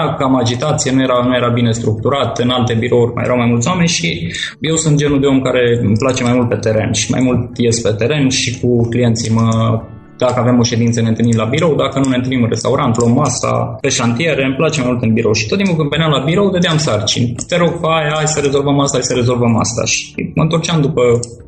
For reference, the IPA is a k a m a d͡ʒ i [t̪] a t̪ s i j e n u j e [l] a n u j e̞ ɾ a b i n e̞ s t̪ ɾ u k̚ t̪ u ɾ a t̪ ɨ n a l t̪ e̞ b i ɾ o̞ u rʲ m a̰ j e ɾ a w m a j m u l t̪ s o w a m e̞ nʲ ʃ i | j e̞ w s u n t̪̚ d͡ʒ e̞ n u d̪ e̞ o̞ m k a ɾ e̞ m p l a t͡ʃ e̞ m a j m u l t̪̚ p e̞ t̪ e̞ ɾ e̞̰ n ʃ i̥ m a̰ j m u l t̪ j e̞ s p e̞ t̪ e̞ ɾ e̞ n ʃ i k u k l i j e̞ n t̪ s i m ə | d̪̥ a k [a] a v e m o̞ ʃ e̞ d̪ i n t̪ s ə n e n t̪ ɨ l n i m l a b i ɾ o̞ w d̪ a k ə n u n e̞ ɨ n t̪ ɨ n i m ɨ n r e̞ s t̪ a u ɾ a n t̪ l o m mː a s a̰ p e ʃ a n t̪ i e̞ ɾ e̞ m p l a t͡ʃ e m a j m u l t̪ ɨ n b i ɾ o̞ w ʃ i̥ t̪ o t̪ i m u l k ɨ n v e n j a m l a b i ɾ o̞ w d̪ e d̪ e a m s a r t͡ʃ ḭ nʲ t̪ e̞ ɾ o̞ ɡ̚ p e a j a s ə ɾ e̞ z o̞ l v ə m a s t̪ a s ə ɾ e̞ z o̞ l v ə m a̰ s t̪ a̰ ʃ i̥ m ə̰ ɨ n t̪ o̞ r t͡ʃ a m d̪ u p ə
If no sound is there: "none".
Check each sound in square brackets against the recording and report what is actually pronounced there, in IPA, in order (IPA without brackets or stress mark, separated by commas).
t̪, ɾ, ə